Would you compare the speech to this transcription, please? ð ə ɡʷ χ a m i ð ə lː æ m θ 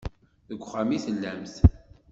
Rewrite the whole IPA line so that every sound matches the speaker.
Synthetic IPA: ð ə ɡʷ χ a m i θ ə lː æ m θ

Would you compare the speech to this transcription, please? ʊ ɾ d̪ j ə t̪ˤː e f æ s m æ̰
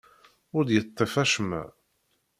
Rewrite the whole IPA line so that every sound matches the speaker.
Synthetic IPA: ʊ ɾ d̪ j ə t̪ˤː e f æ ʃ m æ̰

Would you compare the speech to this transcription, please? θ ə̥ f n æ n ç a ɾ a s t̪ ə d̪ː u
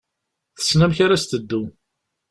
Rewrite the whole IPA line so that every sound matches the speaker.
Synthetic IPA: θ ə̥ s n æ m ç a ɾ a s t̪ ə d̪ː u

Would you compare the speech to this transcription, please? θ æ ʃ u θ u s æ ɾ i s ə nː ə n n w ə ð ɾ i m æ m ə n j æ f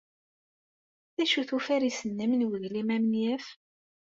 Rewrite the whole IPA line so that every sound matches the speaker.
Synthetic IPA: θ æ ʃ u θ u f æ ɾ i s ə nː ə m n w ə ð l i m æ m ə n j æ f

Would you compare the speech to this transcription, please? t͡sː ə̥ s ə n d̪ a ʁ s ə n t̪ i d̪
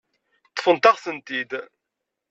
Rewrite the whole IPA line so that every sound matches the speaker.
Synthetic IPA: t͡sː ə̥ f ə n t̪ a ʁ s ə n t̪ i d̪

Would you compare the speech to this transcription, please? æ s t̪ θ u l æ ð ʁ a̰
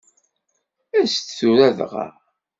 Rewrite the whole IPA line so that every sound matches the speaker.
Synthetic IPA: æ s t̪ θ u ɾ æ ð ʁ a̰

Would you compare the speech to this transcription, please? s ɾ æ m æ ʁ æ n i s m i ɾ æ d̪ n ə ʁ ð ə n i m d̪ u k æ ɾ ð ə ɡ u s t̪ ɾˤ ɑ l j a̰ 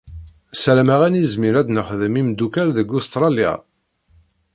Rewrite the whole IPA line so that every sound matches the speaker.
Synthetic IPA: s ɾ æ m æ ʁ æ n i z m i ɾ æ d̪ n ə χ ð ə m i m d̪ u k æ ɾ ð ə ɡ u s t̪ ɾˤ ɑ l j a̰

